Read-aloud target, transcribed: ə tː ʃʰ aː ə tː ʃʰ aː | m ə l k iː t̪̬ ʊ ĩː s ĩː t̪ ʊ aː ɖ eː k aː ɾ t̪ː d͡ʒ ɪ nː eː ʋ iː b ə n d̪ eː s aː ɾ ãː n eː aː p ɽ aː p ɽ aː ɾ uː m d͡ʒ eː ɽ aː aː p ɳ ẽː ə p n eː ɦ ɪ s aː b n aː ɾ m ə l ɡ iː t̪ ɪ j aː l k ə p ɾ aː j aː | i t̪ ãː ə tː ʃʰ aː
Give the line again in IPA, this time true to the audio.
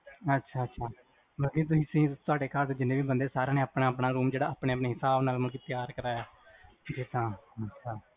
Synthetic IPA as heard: ə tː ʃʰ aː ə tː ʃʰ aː | m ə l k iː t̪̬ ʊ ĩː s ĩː t̪ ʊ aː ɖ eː k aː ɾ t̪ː d͡ʒ ɪ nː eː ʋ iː b ə n d̪ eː s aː ɾ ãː n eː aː p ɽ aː p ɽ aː ɾ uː m d͡ʒ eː ɽ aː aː p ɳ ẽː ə p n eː ɦ ɪ s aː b n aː l m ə l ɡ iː t̪ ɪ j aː ɾ k ə ɾ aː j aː | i t̪ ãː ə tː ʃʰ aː

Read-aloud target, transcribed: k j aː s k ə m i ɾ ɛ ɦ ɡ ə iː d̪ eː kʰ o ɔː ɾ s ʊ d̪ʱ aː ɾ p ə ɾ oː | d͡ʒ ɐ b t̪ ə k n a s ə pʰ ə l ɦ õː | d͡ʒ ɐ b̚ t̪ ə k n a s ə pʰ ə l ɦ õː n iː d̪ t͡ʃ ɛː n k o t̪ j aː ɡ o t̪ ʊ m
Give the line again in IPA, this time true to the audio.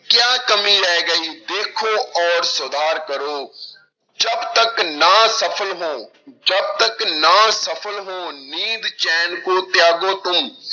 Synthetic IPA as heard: k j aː k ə m i ɾ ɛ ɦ ɡ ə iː d̪ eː kʰ o ɔː ɾ s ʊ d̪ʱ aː ɾ k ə ɾ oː | d͡ʒ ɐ b t̪ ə k n a s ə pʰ ə l ɦ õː | d͡ʒ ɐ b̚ t̪ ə k n a s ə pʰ ə l ɦ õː n iː d̪ t͡ʃ ɛː n k o t̪ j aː ɡ o t̪ ʊ m

